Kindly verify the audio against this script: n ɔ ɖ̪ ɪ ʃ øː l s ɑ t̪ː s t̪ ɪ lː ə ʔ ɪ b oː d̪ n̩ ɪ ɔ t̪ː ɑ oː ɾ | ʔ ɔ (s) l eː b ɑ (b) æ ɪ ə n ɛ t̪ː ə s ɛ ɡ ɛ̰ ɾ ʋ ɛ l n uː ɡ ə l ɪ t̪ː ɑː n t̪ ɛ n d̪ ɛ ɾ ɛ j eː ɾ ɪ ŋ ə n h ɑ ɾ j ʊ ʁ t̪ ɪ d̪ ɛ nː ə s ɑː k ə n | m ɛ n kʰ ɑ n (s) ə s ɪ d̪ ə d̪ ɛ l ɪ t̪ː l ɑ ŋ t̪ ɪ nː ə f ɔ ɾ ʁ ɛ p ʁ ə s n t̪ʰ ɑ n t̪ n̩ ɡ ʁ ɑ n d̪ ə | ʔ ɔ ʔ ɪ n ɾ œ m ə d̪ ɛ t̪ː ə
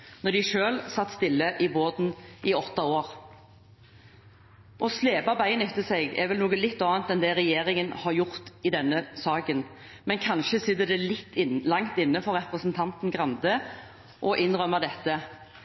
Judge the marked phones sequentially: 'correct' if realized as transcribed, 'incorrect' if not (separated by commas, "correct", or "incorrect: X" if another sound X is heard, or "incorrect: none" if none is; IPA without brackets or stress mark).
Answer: correct, correct, incorrect: ʃ